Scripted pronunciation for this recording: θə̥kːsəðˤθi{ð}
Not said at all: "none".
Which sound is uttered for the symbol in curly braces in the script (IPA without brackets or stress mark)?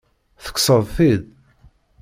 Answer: ð